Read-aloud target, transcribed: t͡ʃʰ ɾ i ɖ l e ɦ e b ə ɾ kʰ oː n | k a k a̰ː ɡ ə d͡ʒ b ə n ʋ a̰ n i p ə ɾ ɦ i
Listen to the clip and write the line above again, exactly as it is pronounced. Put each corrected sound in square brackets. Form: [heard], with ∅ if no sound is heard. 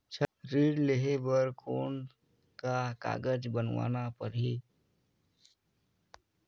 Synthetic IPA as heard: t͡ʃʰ ɾ i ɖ l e ɦ e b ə ɾ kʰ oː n | k a k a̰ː ɡ ə d͡ʒ b ə n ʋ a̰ n [a] p ə ɾ ɦ i